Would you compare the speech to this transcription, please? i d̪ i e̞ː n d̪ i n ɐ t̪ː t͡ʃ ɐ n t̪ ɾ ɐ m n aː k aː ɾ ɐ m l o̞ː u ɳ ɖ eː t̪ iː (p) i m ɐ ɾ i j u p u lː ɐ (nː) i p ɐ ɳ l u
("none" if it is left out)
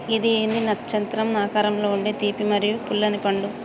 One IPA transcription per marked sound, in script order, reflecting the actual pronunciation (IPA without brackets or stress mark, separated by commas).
p, n